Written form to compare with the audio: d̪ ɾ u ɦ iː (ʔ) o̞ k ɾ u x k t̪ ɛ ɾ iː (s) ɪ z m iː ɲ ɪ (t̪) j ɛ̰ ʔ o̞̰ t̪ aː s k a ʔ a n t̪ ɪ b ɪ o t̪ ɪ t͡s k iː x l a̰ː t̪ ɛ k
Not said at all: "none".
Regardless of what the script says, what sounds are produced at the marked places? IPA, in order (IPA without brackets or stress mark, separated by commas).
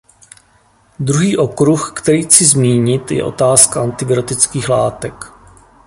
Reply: ʔ, t͡s, t̪